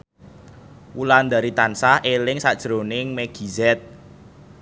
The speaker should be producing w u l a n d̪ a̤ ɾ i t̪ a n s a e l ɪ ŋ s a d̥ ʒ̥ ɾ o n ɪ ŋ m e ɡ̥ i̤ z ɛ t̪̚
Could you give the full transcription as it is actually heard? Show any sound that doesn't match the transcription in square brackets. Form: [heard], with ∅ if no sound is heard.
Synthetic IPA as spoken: w u l a n d̪ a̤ ɾ i t̪ a n s a e l ɪ ŋ s a d̥ ʒ̥ ɾ o n ɪ ŋ m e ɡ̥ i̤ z ɛ t̪̚